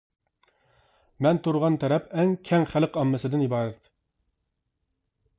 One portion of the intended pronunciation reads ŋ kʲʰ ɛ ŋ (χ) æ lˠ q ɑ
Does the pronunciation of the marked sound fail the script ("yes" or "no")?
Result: no